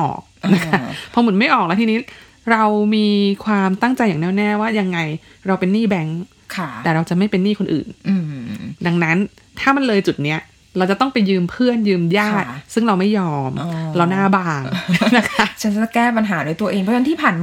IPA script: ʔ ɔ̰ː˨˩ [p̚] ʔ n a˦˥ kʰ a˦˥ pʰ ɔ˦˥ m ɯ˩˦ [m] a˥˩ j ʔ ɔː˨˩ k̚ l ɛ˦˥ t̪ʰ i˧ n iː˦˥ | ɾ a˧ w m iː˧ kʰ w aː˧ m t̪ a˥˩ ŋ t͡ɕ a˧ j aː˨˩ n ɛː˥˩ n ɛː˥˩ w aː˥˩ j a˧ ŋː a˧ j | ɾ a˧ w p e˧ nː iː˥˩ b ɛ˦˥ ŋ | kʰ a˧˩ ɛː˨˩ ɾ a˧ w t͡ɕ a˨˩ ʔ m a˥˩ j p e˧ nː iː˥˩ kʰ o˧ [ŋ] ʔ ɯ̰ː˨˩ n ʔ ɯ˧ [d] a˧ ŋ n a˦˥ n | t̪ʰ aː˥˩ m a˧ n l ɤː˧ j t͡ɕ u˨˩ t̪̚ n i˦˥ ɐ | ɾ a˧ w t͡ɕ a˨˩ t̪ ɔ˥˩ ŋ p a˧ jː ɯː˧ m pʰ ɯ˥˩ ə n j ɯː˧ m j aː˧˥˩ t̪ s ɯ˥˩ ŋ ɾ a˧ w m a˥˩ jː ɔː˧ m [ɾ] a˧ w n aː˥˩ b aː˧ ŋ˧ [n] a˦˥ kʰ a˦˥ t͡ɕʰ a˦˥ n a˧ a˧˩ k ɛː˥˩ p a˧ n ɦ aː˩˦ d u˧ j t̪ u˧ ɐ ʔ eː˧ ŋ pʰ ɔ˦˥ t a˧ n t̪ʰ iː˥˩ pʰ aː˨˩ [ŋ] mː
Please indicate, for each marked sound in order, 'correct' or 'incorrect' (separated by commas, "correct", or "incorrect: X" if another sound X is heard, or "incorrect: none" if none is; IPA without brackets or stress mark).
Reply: incorrect: k̚, correct, incorrect: n, correct, correct, correct, incorrect: n